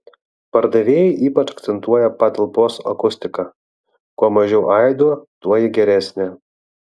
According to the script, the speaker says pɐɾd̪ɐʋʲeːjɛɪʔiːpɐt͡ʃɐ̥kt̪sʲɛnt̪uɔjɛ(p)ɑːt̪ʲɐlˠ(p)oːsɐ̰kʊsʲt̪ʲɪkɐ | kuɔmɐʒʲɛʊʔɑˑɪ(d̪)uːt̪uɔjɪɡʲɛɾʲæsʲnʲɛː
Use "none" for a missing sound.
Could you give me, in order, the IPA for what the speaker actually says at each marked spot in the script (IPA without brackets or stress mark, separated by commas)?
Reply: p, p, d̪